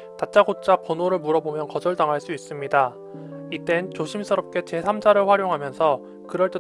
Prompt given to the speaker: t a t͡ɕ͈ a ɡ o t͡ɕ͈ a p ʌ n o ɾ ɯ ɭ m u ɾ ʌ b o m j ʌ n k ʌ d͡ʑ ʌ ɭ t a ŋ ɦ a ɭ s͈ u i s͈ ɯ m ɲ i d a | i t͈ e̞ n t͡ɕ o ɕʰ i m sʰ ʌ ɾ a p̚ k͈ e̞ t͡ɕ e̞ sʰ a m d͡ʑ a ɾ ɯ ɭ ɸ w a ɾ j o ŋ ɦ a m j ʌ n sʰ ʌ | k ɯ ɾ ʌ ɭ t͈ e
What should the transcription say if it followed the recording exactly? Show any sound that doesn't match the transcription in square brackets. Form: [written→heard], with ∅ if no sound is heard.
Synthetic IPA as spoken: t a t͡ɕ͈ a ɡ o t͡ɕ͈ a p ʌ n o ɾ ɯ ɭ m u ɾ ʌ b o m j ʌ n k ʌ d͡ʑ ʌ ɭ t a ŋ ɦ a ɭ s͈ u i s͈ ɯ m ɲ i d a | i t͈ e̞ n t͡ɕ o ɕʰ i m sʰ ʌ ɾ [a→ʌ] p̚ k͈ e̞ t͡ɕ e̞ sʰ a m d͡ʑ a ɾ ɯ ɭ ɸ w a ɾ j o ŋ ɦ a m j ʌ n sʰ ʌ | k ɯ ɾ ʌ ɭ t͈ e